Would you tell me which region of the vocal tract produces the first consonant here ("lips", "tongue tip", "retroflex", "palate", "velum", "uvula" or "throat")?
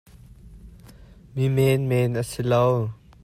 lips